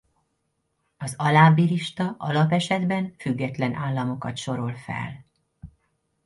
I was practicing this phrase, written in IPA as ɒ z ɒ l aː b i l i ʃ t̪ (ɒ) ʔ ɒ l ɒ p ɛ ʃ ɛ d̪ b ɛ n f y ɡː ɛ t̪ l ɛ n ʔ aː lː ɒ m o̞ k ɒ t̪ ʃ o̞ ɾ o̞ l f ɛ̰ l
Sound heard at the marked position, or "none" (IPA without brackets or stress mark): ɒ